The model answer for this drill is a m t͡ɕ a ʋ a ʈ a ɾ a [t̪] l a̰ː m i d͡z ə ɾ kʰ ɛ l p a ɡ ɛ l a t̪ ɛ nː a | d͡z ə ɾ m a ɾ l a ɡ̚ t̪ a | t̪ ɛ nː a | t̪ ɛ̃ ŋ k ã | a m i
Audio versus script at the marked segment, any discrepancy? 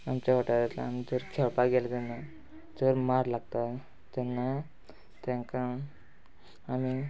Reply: no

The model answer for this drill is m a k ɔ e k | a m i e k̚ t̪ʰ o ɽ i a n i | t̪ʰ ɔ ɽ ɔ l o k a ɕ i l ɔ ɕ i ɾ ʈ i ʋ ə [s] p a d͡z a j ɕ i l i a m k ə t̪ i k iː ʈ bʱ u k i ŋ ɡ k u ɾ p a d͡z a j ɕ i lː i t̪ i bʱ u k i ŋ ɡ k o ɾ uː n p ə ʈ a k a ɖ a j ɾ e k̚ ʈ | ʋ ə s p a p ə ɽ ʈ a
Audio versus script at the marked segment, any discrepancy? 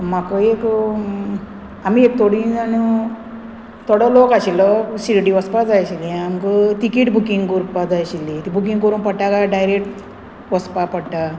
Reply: no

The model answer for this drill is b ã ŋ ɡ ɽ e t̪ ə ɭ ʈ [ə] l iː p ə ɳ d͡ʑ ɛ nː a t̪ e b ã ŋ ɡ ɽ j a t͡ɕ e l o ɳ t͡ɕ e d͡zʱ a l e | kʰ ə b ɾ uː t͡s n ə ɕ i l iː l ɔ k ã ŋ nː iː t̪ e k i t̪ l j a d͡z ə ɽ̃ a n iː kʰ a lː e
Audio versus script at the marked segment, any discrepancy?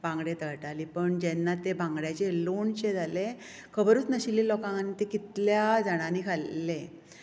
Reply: yes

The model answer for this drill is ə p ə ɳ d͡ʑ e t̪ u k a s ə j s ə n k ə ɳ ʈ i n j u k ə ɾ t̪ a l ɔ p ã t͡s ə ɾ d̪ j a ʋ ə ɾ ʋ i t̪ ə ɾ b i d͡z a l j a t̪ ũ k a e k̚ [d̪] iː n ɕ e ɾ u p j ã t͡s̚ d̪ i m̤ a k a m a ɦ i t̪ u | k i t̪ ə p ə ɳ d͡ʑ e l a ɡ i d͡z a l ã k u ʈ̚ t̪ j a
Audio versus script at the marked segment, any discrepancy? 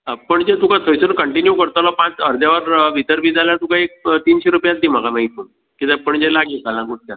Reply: yes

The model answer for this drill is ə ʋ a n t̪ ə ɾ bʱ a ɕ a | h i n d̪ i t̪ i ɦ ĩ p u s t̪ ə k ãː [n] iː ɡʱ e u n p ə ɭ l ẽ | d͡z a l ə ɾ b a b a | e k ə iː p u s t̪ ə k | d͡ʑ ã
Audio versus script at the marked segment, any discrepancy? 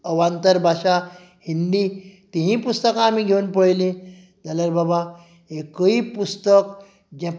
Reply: yes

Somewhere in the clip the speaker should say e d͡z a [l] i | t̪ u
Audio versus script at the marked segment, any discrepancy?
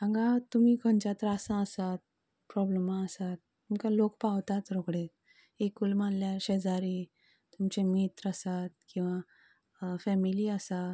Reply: yes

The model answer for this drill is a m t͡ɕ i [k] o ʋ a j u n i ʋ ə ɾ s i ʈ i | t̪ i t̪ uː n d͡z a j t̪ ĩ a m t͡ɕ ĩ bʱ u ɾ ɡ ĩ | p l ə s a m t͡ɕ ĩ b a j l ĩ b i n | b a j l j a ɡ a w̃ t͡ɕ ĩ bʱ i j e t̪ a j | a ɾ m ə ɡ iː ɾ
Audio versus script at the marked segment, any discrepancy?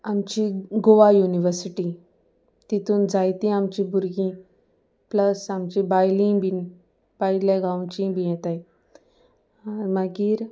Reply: yes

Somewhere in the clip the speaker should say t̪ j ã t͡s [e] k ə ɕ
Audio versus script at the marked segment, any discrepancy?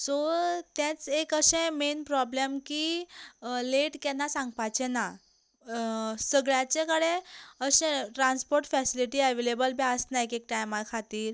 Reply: no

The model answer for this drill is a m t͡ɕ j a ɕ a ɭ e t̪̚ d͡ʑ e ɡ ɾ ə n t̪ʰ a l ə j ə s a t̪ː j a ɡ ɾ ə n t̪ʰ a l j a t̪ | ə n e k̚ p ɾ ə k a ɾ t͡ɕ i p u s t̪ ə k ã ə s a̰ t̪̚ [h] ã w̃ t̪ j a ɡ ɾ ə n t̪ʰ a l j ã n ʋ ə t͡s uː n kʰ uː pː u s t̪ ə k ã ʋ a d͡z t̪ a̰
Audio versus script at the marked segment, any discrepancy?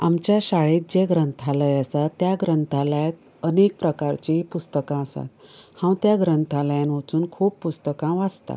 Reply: no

